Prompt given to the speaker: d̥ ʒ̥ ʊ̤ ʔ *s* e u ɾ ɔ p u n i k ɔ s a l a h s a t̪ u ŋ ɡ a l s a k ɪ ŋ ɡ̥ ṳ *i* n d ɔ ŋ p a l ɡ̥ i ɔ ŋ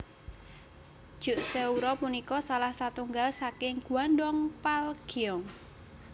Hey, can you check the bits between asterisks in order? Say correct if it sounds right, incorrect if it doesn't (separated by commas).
correct, incorrect